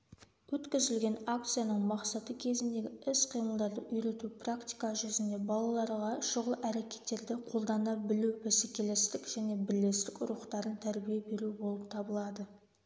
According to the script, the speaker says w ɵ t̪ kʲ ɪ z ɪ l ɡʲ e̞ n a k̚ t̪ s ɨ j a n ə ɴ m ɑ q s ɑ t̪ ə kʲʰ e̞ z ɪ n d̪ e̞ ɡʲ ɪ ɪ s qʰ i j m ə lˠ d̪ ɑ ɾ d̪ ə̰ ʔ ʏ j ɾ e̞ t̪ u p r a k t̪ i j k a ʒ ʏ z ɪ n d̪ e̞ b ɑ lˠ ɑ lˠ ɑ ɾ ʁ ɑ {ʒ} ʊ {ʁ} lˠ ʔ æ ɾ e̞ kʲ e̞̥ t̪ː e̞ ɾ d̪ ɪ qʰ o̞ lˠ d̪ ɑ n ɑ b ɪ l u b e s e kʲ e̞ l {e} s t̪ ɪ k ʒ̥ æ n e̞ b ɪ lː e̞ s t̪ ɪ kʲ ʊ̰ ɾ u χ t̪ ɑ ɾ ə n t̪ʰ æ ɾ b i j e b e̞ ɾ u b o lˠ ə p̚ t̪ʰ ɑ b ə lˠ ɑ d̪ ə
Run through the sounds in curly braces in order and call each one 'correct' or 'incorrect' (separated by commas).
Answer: incorrect, correct, correct